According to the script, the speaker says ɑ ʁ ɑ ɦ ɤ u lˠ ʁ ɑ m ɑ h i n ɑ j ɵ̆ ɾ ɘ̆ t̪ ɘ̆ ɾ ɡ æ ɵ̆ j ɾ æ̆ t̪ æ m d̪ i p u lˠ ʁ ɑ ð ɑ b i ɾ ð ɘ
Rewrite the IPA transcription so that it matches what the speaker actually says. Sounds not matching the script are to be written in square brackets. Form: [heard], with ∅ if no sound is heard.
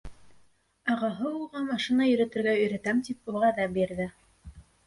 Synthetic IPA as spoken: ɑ ʁ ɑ ɦ ɤ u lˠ ʁ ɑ m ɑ [ʃ] i n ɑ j ɵ̆ ɾ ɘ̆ t̪ ɘ̆ ɾ ɡ æ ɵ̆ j ɾ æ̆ t̪ æ m [t̪] i p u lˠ ʁ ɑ ð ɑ b i ɾ ð ɘ